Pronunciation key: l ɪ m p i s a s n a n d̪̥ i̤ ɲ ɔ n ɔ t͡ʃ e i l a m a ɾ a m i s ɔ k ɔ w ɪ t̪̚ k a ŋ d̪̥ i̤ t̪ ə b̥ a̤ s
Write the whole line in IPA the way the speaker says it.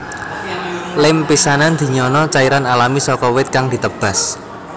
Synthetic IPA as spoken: l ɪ m p i s a n a n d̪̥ i̤ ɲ ɔ n ɔ t͡ʃ a i ɾ a n a l a m i s ɔ k ɔ w ɪ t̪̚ k a ŋ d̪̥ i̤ t̪ ə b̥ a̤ s